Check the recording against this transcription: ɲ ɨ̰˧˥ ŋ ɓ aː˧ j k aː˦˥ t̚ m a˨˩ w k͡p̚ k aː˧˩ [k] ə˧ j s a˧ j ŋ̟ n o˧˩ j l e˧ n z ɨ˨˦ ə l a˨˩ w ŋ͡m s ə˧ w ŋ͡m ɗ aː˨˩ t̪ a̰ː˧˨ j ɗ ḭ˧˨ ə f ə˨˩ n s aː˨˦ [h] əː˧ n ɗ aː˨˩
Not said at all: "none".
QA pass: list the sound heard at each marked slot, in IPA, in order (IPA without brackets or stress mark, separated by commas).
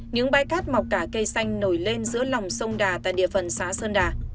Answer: k, s